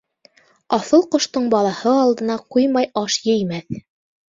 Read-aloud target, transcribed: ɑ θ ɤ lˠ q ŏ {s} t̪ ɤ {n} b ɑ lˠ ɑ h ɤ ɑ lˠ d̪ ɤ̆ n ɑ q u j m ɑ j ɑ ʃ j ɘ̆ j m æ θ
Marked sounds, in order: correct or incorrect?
incorrect, incorrect

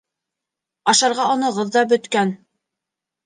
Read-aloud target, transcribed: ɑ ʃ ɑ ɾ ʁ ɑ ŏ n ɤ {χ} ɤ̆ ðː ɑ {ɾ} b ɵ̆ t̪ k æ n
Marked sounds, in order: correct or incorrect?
incorrect, incorrect

